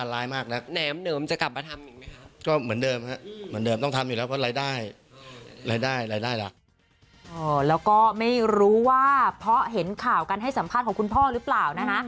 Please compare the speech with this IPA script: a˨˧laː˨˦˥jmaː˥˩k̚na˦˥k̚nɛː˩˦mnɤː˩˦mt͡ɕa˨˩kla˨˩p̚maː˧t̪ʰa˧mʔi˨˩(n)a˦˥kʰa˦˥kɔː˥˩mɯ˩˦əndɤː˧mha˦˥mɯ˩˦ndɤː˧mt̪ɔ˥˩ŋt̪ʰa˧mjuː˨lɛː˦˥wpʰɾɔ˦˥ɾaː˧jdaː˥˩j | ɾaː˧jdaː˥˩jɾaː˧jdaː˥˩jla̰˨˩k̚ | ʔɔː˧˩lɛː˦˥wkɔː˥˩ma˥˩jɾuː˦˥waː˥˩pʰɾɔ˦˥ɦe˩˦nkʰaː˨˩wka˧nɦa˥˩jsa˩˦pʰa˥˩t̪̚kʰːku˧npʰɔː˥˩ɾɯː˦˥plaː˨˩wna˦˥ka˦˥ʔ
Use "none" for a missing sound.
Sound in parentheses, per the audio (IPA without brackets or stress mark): m